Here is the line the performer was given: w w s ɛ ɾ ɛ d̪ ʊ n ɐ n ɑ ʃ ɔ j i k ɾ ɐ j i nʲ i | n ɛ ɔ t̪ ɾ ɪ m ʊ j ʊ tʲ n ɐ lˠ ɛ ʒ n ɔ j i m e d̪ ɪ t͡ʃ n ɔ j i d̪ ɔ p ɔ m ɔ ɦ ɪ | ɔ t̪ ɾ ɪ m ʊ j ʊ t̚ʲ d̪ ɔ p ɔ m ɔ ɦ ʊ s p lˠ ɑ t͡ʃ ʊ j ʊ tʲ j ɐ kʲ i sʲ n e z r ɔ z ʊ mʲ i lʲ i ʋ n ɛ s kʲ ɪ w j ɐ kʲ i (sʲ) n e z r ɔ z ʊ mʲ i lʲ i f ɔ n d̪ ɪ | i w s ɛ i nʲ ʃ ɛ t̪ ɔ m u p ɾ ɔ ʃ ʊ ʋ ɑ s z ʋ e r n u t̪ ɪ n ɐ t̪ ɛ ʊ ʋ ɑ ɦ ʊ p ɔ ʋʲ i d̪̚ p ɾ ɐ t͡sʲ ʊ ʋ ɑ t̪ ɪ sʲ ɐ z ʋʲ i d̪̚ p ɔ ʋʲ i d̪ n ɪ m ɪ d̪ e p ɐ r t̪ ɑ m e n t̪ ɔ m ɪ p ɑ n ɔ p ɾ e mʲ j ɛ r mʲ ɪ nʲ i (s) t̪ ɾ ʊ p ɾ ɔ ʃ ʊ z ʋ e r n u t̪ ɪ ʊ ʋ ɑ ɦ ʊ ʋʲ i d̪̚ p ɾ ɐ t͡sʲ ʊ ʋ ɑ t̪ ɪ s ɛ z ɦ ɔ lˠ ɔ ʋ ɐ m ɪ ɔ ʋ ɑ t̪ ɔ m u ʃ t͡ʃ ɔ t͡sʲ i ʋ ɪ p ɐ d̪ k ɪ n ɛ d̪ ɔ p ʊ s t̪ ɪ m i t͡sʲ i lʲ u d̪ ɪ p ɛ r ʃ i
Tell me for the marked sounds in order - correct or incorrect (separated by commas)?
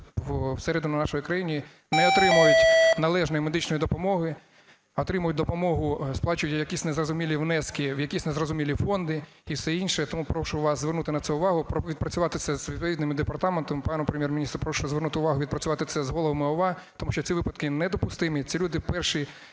correct, correct